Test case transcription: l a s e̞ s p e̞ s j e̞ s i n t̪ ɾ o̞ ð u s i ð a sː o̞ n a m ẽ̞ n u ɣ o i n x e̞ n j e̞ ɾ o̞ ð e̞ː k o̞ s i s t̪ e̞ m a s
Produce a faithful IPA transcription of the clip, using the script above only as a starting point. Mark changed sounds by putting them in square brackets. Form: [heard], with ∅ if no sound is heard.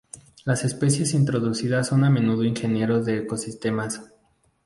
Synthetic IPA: l a s e̞ s p e̞ s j e̞ s i n t̪ ɾ o̞ ð u s i ð a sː o̞ n a m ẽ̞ n u [ð] o i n x e̞ n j e̞ ɾ o̞ ð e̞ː k o̞ s i s t̪ e̞ m a s